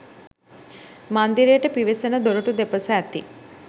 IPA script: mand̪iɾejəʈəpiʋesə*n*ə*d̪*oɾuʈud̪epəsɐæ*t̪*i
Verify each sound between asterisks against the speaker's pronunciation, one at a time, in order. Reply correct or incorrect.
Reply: correct, correct, correct

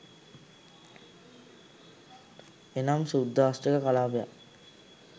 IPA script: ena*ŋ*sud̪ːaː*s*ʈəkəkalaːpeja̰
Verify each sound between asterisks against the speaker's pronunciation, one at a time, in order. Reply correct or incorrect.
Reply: incorrect, correct

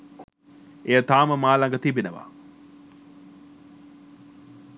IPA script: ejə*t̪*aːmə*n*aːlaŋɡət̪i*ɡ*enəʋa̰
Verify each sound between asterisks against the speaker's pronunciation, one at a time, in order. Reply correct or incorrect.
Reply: correct, incorrect, incorrect

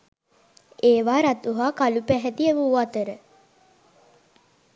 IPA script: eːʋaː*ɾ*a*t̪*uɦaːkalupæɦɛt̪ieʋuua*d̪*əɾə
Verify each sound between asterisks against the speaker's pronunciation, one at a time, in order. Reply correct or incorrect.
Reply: correct, correct, incorrect

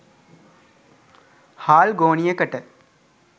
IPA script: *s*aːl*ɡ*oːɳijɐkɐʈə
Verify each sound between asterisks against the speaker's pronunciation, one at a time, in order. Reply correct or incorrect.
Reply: incorrect, correct

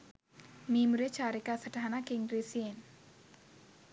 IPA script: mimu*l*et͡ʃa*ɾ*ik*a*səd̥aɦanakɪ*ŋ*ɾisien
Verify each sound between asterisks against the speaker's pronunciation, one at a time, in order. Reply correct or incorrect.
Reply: incorrect, correct, correct, correct

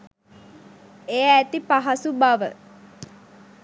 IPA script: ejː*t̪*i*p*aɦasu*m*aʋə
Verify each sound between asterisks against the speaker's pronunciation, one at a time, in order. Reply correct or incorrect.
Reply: correct, correct, incorrect

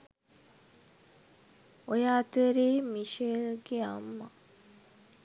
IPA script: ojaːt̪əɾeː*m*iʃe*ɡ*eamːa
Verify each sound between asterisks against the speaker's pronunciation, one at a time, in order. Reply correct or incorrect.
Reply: correct, correct

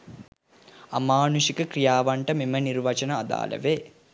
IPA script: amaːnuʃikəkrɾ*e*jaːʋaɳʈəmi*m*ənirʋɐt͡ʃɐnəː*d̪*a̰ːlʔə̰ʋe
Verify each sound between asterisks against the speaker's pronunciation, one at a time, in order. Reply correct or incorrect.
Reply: incorrect, correct, correct

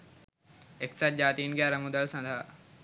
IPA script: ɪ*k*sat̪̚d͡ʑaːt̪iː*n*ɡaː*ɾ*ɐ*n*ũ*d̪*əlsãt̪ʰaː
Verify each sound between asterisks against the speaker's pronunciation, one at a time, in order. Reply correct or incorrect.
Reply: correct, correct, correct, incorrect, correct

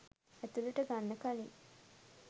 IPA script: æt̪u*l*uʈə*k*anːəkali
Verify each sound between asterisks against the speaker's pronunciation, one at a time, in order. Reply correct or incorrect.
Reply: correct, incorrect

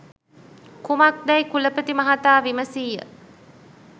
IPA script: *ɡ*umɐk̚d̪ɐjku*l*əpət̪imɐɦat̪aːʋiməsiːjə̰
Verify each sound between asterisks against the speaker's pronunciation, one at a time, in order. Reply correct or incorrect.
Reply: incorrect, correct

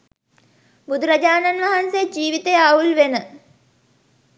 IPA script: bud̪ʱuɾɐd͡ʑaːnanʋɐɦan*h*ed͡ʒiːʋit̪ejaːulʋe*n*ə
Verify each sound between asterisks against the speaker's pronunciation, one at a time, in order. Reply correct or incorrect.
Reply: incorrect, correct

